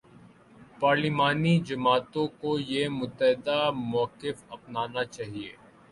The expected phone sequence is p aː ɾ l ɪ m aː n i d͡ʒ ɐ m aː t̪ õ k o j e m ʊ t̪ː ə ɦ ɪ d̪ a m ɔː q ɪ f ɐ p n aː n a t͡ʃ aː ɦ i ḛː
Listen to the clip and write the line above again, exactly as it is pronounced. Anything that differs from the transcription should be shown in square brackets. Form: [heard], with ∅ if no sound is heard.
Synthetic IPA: p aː ɾ l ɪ m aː n i d͡ʒ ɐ m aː t̪ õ k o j e m ʊ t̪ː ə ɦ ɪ d̪ a m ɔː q ɪ f ɐ p n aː n a t͡ʃ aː ɦ i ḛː